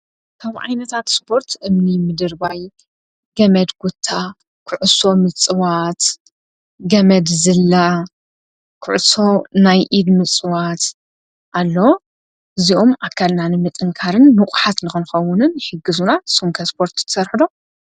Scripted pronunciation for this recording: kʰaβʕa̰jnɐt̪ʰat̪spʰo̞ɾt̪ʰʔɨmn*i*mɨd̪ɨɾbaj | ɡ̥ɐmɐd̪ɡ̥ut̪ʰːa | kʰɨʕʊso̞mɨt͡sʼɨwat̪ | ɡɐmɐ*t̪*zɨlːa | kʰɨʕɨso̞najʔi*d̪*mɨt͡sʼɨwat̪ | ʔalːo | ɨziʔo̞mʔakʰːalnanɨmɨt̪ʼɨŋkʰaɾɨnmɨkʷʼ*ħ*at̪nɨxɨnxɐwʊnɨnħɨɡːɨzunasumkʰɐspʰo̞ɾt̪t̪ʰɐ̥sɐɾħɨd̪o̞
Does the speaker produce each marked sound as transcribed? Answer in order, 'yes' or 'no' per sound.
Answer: yes, no, yes, yes

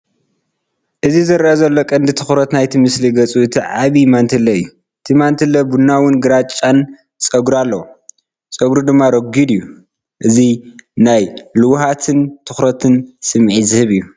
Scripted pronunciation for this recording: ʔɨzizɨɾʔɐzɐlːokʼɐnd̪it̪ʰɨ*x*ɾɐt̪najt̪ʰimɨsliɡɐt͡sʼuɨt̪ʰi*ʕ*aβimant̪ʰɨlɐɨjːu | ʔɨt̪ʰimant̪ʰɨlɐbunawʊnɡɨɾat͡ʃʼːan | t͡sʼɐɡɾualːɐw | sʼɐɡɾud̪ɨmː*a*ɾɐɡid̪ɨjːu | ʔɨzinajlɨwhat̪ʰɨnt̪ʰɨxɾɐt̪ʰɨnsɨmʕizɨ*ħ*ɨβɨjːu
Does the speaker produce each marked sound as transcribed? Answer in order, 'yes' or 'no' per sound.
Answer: yes, yes, yes, no

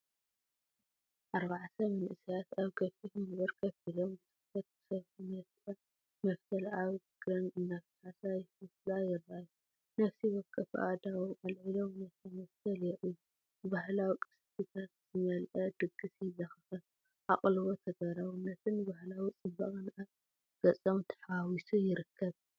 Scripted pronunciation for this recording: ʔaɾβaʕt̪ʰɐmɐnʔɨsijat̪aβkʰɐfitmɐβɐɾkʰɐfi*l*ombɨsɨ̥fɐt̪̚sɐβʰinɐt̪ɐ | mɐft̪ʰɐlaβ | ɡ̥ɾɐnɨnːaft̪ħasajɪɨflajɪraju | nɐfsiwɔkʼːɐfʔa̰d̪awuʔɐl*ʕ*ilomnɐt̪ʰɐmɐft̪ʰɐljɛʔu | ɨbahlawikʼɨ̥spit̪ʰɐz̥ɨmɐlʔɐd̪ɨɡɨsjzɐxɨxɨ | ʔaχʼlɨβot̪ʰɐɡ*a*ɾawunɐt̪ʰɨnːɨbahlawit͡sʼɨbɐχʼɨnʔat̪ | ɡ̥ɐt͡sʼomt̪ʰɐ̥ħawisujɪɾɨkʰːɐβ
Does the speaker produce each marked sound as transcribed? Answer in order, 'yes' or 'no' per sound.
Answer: yes, yes, no

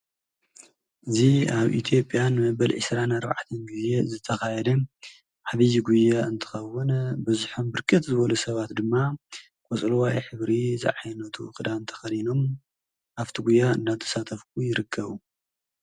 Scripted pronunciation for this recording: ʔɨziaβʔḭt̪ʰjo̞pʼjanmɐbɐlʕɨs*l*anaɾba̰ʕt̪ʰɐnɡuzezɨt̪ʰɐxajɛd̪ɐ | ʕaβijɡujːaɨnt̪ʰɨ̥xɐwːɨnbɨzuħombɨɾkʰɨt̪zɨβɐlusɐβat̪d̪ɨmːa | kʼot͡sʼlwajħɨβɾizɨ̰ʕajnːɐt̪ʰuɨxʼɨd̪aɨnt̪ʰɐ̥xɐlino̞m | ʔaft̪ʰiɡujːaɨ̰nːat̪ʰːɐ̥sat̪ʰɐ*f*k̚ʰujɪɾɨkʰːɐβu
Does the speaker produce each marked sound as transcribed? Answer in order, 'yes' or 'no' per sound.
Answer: no, yes

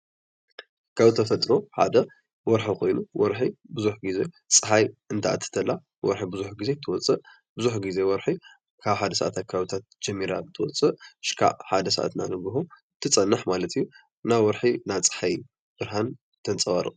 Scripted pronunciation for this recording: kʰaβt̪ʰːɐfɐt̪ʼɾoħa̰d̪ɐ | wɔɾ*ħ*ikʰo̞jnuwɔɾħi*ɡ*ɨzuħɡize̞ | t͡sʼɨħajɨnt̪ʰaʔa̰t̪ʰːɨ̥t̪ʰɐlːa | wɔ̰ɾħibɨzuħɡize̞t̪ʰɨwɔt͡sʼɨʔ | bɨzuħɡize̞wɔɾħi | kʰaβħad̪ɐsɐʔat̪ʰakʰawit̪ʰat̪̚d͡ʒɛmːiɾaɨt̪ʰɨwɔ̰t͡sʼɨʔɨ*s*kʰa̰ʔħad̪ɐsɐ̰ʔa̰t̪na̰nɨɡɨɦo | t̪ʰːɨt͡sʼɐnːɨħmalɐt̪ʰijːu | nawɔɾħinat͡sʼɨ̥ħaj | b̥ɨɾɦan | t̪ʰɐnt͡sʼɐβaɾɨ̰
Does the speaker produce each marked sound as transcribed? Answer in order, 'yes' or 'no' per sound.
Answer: yes, no, no

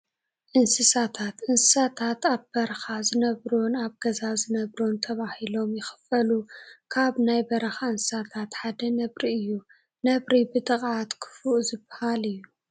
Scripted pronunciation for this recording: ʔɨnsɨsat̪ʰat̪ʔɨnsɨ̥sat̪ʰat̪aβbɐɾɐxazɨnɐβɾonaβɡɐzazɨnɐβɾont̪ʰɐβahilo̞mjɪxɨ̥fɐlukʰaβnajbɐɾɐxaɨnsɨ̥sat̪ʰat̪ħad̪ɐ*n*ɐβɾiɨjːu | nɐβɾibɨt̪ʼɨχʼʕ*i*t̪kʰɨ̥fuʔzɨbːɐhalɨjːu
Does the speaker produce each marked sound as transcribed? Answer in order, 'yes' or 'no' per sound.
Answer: yes, no

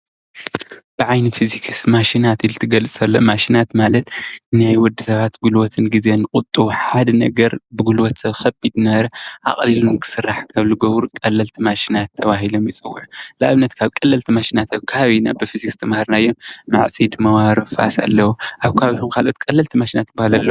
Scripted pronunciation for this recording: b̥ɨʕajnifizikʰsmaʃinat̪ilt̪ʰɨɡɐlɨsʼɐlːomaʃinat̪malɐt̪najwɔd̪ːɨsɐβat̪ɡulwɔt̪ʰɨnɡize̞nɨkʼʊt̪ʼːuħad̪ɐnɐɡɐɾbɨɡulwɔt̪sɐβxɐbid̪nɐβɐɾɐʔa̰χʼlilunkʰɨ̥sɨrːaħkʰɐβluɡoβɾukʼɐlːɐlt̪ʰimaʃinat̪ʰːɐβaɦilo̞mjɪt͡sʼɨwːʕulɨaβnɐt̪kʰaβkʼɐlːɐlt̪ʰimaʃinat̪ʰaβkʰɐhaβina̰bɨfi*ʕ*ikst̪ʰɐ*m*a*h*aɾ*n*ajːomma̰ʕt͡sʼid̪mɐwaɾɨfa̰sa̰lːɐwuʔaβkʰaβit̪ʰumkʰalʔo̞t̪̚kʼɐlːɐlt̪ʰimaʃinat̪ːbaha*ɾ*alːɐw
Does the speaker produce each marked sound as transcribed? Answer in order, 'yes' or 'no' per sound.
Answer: no, yes, yes, yes, no

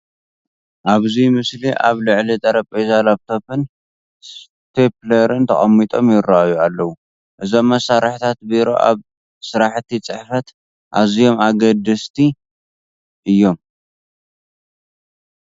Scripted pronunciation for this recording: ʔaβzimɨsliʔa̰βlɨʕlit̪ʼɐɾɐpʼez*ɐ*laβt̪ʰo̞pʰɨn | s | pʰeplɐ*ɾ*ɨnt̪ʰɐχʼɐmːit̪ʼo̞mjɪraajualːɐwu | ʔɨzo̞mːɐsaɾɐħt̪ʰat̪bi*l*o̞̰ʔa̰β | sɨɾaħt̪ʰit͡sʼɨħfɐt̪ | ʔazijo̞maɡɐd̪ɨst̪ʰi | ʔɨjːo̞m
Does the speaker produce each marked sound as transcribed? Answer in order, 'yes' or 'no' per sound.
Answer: no, yes, no

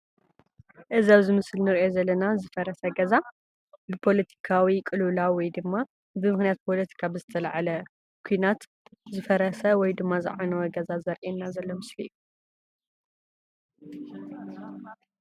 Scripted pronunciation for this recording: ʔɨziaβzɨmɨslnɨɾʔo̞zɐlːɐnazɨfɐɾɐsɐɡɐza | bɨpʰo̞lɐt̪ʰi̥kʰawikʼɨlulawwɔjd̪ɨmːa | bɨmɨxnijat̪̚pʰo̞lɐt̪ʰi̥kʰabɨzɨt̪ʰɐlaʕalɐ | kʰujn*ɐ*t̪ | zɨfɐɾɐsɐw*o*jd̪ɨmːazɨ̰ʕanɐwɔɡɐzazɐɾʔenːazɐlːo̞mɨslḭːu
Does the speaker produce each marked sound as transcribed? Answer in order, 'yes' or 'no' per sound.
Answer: no, no

